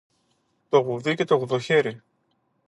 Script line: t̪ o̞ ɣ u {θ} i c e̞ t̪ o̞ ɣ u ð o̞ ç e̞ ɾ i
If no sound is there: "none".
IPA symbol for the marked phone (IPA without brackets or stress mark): ð